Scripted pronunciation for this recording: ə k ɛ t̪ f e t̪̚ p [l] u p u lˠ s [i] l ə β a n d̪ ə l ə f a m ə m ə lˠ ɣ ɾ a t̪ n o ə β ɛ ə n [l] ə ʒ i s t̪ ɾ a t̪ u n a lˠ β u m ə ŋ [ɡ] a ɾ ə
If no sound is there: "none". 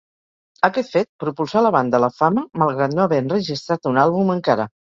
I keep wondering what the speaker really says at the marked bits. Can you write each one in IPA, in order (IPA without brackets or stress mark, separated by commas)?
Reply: ɾ, a, r, k